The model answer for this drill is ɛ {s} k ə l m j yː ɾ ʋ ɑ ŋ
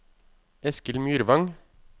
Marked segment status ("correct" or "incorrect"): correct